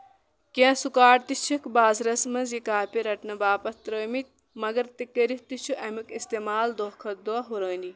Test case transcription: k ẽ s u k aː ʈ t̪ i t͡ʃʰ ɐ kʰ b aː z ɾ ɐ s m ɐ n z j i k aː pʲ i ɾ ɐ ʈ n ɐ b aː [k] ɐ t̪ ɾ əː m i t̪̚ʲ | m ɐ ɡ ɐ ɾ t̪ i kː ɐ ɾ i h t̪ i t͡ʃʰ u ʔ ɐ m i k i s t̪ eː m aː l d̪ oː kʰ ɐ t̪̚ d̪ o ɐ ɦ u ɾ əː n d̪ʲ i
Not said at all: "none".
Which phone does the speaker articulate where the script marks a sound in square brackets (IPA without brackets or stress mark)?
p